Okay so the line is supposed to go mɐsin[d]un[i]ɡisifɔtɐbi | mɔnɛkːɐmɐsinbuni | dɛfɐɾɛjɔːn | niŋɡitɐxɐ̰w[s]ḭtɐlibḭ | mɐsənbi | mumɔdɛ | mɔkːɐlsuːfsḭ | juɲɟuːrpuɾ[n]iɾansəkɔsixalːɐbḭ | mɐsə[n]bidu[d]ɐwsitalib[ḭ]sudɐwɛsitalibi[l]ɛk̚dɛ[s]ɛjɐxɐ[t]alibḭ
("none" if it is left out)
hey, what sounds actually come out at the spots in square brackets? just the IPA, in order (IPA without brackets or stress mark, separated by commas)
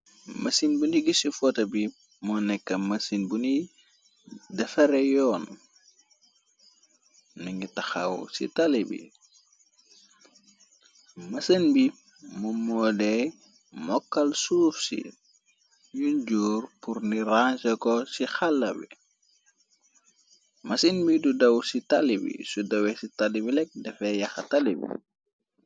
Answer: b, i, s, n, n, d, ḭ, l, f, t